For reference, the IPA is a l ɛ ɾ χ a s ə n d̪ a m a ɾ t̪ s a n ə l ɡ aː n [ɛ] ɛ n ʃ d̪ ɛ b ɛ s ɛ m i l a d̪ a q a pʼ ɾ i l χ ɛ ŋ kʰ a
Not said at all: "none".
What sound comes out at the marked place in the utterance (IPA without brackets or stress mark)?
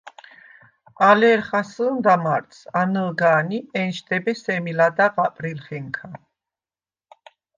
i